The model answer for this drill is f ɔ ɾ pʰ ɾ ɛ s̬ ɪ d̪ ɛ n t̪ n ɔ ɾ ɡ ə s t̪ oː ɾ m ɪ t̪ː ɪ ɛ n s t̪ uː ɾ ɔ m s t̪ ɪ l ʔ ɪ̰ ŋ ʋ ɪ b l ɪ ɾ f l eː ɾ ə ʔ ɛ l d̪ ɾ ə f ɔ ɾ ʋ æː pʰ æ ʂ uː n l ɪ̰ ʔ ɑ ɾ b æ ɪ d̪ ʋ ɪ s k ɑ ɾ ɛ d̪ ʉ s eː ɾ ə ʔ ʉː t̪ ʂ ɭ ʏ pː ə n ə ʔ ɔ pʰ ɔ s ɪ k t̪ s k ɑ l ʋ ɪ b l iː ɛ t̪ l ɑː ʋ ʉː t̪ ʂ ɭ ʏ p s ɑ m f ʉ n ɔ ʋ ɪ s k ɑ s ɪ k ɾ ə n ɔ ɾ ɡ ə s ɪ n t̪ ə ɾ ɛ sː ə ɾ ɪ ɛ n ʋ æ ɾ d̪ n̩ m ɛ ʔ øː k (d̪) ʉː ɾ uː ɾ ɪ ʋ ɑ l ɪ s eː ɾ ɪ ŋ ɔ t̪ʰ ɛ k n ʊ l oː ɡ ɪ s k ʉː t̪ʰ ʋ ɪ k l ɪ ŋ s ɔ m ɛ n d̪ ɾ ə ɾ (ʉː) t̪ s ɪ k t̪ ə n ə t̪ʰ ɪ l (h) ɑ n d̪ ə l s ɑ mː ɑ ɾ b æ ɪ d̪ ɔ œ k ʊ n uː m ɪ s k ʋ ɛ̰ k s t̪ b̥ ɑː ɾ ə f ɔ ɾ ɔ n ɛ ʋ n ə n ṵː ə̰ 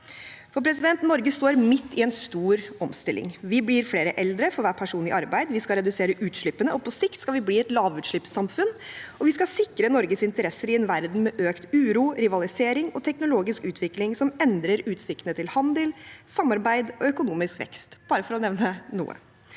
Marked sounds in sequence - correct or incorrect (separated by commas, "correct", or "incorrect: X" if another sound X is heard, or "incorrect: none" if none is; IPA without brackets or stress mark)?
incorrect: t̪, correct, correct